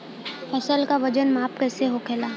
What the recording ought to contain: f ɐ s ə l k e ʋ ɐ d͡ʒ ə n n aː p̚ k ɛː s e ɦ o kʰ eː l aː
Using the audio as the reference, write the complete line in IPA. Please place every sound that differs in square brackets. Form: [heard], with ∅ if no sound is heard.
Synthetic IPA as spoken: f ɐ s ə l k [a] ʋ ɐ d͡ʒ ə n [m] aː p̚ k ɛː s e ɦ o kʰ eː l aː